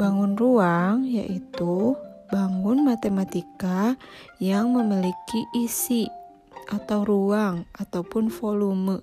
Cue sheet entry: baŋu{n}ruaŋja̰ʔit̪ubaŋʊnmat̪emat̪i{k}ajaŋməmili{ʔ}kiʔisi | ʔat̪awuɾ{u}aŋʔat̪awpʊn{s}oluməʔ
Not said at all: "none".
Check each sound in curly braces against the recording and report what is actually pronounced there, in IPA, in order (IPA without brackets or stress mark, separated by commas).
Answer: n, k, none, u, f